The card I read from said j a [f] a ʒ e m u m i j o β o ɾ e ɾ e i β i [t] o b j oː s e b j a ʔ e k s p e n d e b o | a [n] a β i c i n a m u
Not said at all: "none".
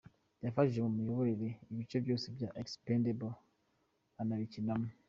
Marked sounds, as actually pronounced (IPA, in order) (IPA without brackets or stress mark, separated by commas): f, t͡ʃ, n